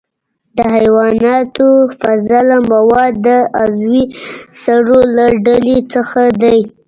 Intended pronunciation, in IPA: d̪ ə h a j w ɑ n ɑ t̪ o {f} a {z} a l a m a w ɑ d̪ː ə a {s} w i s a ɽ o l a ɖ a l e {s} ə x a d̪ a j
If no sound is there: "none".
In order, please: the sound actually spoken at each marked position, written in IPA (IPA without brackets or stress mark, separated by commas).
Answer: f, z, z, t͡s